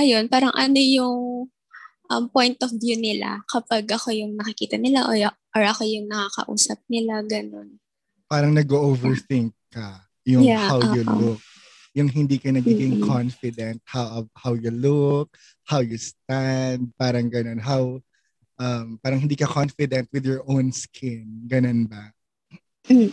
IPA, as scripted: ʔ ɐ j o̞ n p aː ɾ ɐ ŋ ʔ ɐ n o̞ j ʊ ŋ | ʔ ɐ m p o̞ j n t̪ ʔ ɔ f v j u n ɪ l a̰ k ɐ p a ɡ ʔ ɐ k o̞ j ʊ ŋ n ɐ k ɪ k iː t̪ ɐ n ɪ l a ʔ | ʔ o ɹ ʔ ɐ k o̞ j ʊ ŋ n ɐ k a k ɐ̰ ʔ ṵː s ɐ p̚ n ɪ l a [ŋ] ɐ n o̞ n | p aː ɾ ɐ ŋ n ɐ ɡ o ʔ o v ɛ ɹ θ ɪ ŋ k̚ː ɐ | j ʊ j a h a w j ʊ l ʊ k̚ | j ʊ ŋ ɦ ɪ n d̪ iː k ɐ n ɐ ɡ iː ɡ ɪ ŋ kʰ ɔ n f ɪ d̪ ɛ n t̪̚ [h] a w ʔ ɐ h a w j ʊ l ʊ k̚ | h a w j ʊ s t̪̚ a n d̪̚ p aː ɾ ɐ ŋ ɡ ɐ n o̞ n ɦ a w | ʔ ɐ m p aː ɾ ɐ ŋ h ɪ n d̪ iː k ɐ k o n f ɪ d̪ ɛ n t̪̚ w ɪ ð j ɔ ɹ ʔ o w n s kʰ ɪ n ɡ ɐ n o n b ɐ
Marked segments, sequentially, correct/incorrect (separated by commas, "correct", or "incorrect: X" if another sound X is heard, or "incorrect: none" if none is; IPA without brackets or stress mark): incorrect: ɡ, correct